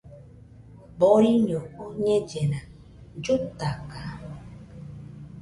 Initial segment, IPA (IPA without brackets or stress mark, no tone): b